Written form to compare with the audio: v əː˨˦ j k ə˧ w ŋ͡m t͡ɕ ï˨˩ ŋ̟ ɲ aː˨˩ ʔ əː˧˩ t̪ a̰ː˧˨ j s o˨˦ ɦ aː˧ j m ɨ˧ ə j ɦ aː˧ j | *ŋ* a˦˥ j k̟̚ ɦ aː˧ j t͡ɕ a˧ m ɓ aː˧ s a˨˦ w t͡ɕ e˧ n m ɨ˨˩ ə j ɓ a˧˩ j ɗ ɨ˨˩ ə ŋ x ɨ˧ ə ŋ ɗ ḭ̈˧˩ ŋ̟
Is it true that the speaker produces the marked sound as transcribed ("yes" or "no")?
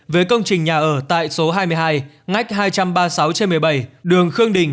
yes